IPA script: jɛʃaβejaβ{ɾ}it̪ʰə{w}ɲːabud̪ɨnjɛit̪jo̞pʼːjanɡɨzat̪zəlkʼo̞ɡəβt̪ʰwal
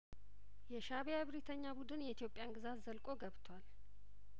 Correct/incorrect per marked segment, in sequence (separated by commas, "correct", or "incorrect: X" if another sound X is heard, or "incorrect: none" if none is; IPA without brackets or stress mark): correct, incorrect: none